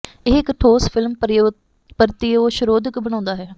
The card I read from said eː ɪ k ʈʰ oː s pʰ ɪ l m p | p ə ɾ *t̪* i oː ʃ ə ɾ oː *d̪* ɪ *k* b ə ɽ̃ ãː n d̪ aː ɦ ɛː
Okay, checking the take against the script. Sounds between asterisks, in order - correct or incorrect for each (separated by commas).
correct, correct, correct